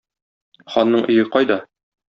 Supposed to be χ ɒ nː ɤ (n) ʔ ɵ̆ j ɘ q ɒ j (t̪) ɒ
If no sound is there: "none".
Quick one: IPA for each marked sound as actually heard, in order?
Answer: ɴ, d̪

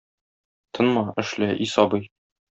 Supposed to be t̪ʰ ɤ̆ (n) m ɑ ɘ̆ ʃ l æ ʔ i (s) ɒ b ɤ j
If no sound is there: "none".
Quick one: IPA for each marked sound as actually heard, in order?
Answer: n, s

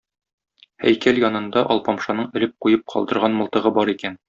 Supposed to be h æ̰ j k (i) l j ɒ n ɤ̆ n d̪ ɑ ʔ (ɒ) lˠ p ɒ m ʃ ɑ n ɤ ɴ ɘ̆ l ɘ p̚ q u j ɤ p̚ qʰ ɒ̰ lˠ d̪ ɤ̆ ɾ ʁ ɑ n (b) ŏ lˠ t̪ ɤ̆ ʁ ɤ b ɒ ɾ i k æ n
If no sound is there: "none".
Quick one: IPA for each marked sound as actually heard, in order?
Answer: æ, ɒ, m

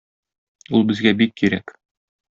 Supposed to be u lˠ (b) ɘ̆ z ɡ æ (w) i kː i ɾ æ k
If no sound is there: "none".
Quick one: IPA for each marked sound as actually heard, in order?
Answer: b, b

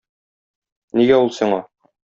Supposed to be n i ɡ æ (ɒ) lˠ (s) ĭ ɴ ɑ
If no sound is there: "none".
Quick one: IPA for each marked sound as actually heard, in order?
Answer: u, s

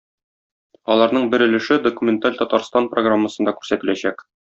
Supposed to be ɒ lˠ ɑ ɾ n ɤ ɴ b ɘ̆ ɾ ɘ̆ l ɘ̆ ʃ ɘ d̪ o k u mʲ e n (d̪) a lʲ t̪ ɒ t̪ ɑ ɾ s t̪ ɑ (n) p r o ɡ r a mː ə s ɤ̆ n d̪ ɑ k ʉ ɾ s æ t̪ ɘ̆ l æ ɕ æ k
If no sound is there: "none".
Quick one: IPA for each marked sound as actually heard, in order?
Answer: t̪, n

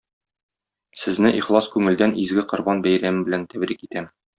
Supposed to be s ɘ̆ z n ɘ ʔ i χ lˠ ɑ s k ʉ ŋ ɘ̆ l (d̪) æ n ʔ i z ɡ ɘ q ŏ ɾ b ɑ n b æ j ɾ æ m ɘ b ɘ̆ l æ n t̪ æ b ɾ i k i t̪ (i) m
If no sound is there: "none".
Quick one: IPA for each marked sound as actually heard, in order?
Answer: d̪, æ

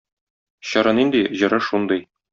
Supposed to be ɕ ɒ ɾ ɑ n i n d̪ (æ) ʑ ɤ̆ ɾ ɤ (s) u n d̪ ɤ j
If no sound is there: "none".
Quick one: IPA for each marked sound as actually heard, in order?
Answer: i, ʃ

